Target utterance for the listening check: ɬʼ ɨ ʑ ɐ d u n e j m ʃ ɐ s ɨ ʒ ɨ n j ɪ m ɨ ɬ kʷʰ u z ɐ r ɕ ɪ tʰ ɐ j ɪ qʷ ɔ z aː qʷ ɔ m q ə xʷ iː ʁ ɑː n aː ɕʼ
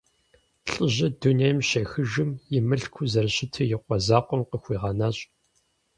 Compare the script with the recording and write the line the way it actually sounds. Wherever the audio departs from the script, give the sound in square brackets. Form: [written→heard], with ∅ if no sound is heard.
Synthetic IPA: ɬʼ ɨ ʑ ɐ d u n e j m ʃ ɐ [s→x] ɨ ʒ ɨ [n→m] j ɪ m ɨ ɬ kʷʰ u z ɐ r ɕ ɪ tʰ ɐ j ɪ qʷ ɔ z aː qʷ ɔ m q ə xʷ iː ʁ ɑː n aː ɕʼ